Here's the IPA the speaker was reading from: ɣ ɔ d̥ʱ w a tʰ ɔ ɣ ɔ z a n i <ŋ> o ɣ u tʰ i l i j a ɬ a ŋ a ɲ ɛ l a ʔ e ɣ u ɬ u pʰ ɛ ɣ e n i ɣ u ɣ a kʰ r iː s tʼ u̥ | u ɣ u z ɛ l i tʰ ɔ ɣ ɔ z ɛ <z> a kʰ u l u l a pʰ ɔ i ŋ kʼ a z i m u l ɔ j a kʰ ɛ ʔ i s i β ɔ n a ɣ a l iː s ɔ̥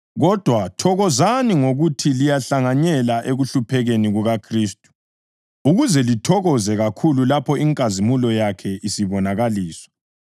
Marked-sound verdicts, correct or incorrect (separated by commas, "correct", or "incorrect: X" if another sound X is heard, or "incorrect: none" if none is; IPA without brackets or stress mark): correct, incorrect: ɣ